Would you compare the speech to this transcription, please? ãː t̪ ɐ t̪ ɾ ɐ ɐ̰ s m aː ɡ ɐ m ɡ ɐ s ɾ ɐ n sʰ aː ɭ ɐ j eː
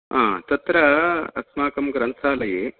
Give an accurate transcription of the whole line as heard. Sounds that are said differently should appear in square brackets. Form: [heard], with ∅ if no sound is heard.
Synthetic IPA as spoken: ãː t̪ ɐ t̪ ɾ ɐ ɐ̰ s m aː [k] ɐ m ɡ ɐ [∅] ɾ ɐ n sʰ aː [l] ɐ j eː